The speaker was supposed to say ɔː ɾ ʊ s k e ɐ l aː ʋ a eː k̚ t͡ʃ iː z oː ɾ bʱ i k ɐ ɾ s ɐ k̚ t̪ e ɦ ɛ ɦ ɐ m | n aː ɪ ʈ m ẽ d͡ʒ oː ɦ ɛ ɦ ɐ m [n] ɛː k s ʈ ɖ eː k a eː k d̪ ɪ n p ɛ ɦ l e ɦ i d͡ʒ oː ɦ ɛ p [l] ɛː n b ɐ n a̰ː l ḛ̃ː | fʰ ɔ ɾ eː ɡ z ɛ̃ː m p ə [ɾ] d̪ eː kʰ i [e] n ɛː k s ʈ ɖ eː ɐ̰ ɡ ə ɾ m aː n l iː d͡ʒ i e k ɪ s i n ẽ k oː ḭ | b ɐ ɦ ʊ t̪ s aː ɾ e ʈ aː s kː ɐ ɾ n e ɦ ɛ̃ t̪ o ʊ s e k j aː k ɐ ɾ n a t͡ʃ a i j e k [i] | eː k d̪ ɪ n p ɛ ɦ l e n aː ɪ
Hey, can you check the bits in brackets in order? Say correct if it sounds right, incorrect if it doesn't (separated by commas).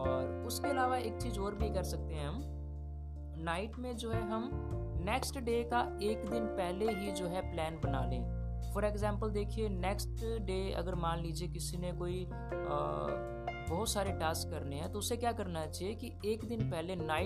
correct, correct, incorrect, correct, correct